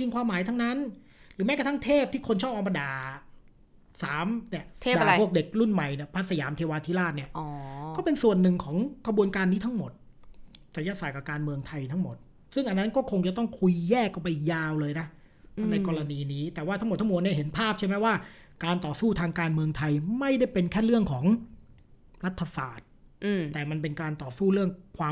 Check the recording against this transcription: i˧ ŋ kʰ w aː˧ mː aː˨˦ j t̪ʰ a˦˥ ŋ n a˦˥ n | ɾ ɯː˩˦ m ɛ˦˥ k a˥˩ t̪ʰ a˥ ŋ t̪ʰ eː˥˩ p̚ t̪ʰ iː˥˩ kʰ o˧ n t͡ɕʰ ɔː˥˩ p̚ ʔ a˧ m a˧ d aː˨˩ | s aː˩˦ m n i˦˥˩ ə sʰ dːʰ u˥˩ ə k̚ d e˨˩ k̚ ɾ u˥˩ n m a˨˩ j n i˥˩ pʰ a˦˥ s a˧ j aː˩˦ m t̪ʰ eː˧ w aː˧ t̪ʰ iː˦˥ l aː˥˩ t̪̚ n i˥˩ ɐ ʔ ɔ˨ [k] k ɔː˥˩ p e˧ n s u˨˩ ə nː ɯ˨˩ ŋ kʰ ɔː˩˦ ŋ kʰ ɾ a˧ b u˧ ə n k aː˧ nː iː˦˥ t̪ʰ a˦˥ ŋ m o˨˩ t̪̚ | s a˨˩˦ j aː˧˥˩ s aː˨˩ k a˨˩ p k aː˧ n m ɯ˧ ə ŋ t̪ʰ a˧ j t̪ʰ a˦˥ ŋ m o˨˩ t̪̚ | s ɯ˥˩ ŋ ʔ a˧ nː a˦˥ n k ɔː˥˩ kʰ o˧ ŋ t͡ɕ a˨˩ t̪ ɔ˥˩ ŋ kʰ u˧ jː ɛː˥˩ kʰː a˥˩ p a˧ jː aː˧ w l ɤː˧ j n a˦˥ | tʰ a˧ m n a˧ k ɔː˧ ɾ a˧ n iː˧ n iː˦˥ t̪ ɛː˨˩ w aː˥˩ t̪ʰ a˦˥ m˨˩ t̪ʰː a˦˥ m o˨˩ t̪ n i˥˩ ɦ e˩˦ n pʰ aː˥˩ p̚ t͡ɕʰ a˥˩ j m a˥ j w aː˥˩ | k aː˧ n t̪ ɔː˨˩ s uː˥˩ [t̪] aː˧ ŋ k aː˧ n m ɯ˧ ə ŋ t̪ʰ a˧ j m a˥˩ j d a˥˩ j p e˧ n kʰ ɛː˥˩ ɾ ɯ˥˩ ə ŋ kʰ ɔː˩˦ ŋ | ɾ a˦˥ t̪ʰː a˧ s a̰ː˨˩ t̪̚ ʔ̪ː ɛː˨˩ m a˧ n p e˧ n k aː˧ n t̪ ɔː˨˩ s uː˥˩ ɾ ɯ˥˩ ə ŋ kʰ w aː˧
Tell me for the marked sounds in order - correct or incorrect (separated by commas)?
correct, incorrect